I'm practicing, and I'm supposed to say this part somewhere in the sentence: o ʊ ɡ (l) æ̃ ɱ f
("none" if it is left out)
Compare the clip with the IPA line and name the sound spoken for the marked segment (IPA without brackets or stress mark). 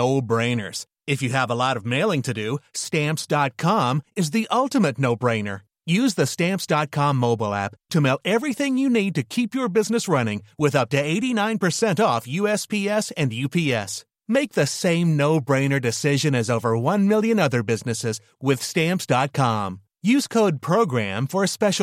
ɹ